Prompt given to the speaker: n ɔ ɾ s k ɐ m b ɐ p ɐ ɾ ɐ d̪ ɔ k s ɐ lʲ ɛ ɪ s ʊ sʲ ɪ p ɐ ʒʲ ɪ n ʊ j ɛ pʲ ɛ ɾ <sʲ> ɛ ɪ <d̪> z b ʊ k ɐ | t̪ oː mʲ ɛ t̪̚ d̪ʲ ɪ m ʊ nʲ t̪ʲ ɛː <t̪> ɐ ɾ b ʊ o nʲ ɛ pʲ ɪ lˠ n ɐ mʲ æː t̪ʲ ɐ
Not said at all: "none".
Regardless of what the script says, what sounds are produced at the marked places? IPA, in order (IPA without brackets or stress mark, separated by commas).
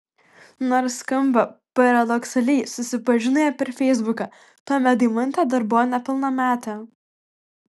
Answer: fʲ, none, d̪